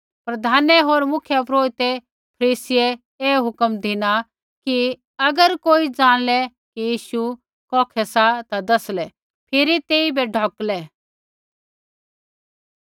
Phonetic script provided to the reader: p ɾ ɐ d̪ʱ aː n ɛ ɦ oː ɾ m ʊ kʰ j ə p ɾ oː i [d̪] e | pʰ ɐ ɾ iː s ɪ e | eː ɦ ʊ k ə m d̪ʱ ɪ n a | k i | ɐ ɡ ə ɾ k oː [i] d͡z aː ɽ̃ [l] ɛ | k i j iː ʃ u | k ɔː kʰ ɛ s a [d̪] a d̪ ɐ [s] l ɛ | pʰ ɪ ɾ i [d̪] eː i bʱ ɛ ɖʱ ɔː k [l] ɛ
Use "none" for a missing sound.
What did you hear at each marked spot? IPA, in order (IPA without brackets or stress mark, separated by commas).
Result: t̪, i, l, t̪, s, t̪, l